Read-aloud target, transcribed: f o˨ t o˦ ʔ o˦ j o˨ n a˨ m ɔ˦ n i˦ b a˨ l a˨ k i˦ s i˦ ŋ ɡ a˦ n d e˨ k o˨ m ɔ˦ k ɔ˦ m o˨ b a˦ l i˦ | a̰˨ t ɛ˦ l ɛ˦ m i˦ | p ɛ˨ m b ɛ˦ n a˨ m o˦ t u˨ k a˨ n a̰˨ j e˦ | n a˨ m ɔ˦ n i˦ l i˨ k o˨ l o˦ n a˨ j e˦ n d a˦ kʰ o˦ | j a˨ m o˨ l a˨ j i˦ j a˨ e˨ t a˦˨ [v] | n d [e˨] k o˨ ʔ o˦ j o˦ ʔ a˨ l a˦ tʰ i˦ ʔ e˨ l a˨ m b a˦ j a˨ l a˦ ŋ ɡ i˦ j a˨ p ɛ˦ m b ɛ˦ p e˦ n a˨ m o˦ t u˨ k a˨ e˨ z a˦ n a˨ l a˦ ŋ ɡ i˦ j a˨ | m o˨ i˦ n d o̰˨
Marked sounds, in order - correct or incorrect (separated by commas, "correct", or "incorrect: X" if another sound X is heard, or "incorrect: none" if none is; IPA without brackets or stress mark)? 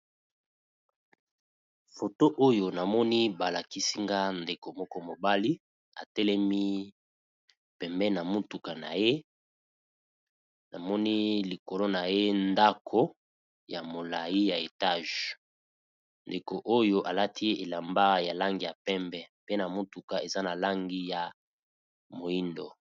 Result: incorrect: ʒ, correct